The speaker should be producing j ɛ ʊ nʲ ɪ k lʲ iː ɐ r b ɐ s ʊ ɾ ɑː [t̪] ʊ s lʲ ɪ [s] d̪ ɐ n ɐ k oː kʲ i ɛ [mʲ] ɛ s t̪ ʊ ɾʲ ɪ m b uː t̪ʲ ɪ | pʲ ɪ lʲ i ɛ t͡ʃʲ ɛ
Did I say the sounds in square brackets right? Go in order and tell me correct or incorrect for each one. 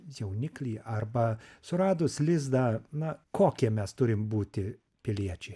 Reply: incorrect: d̪, incorrect: z, correct

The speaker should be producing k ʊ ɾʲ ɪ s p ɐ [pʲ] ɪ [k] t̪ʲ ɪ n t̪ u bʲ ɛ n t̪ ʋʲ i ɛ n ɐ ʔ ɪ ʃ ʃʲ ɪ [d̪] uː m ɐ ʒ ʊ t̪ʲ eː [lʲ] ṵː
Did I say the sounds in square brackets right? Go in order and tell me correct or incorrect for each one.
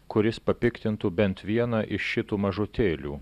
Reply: correct, correct, incorrect: t̪, correct

